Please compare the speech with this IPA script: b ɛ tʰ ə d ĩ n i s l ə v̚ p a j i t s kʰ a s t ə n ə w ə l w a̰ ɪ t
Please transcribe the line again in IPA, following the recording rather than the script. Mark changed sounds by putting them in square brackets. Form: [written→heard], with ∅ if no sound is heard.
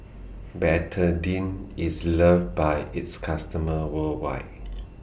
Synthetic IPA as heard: b ɛ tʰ ə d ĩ n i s l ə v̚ [p→b] a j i t s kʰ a s t ə [n→m] ə w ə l w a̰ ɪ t